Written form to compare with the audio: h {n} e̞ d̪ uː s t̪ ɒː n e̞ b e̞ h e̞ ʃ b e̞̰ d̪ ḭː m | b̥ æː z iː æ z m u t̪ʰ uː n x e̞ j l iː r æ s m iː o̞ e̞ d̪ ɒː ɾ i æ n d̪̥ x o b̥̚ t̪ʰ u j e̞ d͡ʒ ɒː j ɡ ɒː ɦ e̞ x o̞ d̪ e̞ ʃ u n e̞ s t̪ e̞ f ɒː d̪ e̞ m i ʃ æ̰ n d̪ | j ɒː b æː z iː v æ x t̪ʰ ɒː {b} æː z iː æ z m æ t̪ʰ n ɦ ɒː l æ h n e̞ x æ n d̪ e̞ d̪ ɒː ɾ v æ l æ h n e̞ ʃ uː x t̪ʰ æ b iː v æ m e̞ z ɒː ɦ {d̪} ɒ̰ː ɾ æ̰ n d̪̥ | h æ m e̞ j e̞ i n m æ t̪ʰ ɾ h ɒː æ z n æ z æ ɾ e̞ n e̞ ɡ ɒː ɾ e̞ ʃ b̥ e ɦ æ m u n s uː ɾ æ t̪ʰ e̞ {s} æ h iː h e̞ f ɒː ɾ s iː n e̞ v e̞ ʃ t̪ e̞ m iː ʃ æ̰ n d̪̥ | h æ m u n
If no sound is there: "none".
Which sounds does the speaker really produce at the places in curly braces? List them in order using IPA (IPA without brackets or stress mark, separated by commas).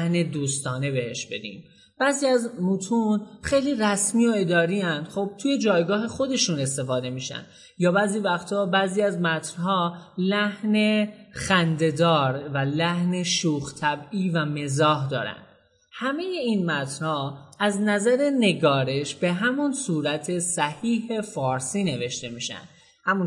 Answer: n, b, d̪, s